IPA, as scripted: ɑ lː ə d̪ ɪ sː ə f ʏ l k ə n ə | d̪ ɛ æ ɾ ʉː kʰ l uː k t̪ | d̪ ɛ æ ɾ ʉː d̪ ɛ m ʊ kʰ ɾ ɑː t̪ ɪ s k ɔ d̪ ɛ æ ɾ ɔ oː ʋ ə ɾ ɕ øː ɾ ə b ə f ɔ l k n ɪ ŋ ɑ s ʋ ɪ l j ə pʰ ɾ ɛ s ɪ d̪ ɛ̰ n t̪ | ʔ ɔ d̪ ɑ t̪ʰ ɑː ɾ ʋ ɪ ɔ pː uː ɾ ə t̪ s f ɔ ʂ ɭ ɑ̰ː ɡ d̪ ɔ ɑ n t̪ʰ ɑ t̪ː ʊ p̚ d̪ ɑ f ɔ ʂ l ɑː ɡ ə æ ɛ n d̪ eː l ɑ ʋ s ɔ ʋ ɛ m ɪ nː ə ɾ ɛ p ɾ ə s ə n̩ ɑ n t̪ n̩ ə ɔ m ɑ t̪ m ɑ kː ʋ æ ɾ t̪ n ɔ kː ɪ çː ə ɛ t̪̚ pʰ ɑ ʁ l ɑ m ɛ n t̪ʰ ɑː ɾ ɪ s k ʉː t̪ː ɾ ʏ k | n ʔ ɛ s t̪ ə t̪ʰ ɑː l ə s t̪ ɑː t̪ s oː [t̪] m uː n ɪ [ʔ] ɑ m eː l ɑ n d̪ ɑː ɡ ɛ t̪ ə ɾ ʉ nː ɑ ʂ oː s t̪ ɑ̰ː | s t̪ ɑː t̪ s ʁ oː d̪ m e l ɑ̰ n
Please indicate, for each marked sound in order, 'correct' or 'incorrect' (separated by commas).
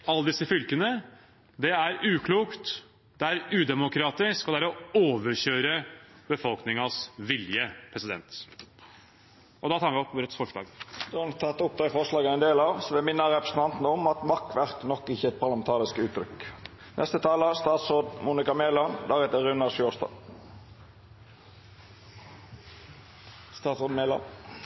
incorrect, incorrect